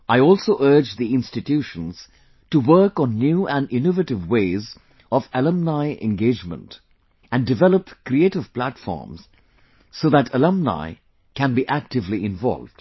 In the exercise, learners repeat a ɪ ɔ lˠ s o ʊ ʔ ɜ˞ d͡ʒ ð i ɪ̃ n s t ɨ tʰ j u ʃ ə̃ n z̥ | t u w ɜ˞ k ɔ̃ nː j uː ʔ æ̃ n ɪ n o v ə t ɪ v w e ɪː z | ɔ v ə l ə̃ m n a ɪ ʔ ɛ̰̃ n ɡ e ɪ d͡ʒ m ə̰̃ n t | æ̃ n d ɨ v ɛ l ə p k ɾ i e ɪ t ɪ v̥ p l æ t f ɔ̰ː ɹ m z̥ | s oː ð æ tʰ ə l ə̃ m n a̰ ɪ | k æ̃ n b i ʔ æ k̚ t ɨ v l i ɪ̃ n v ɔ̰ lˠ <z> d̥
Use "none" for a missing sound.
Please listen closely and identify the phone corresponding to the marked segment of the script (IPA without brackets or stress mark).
v